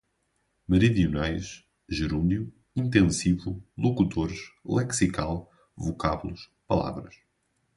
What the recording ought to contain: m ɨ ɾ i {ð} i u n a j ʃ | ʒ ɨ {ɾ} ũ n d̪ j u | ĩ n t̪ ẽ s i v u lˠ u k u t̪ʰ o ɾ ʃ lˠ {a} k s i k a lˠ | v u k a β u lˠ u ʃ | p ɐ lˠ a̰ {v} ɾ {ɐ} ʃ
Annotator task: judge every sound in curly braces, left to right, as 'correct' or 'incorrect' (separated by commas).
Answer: correct, correct, incorrect, correct, correct